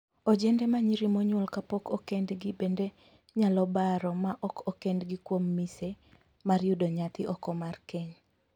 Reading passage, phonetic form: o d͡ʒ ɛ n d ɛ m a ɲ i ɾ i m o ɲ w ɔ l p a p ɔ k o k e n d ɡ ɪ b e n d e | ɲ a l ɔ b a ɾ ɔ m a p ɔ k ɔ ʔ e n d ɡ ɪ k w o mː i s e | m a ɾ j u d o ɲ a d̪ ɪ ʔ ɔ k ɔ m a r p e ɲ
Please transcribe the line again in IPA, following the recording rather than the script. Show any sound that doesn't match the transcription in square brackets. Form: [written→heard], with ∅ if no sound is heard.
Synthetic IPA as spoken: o d͡ʒ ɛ n d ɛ m a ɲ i ɾ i m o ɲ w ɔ l [p→k] a p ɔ k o k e n d ɡ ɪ b e n d e | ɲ a l ɔ b a ɾ ɔ m a [p→ʔ] ɔ k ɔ [ʔ→k] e n d ɡ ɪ k w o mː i s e | m a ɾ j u d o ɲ a [d̪→t̪] ɪ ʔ ɔ k ɔ m a r [p→k] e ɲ